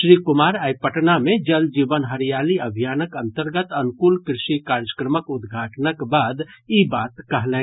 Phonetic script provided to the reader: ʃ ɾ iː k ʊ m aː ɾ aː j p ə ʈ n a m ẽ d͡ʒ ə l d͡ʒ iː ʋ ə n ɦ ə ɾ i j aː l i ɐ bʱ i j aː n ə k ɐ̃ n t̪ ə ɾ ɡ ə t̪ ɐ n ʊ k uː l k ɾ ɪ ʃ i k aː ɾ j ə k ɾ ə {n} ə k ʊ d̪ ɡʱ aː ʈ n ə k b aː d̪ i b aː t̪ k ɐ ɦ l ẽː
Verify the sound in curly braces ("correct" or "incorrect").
incorrect